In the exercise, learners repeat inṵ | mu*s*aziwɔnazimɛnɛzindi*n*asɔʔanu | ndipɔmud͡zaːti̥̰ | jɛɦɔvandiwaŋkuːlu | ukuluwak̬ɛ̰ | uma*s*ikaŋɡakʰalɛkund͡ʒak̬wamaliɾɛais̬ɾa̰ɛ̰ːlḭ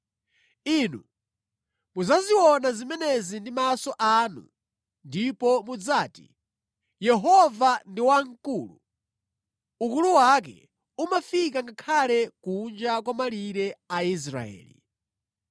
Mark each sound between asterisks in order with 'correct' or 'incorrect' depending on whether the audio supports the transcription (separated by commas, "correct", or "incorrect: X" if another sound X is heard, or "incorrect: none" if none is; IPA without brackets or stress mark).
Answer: incorrect: z, incorrect: m, incorrect: f